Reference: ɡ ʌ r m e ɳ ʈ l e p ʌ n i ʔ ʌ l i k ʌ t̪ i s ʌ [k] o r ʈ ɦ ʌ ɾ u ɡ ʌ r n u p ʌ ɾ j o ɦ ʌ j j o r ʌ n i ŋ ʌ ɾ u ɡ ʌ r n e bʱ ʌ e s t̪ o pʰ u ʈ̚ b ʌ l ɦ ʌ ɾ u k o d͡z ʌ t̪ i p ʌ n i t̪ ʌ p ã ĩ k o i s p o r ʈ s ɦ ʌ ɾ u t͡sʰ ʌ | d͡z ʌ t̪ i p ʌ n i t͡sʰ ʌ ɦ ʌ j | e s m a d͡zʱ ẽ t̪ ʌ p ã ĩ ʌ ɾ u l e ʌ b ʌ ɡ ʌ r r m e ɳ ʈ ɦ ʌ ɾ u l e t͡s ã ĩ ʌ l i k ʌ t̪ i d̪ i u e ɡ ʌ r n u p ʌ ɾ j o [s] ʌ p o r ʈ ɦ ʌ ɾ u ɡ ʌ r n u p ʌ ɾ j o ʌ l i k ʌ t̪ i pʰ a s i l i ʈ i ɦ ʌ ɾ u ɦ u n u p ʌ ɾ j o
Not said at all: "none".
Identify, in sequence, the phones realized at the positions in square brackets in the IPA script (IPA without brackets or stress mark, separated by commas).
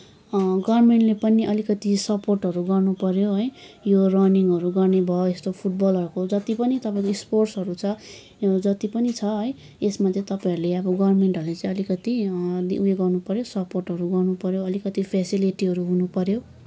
p, s